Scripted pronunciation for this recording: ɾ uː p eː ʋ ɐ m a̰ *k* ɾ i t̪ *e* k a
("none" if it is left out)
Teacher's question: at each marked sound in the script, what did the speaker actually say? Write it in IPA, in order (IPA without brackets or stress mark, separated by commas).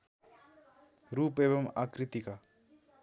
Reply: k, i